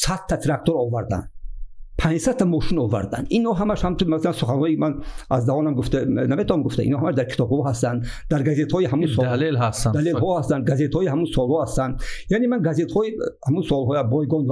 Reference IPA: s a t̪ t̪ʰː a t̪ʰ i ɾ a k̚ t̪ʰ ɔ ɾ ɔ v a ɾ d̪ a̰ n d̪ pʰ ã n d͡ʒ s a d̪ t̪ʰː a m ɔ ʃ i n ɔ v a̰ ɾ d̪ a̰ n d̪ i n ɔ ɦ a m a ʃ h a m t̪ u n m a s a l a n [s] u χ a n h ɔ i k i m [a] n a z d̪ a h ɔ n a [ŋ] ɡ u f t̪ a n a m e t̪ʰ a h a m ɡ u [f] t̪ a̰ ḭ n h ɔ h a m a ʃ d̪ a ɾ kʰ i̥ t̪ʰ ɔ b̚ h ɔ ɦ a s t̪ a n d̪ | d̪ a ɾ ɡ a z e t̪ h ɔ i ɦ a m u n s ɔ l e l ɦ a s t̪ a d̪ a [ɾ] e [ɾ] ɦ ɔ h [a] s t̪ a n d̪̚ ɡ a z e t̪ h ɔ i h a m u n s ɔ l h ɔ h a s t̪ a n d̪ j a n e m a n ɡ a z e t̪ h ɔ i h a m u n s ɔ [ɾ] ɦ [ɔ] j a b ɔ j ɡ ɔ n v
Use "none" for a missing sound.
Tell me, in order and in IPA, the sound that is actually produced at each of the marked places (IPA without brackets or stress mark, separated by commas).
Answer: s, a, m, f, l, l, a, l, ɔ